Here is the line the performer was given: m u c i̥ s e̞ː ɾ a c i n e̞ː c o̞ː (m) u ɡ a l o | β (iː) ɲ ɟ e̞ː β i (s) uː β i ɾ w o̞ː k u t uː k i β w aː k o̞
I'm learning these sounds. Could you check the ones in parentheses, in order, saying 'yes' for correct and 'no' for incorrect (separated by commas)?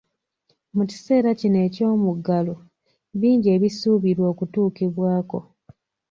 yes, yes, yes